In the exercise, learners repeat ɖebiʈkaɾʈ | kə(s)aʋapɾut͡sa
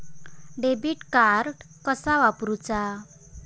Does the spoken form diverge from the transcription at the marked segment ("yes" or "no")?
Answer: no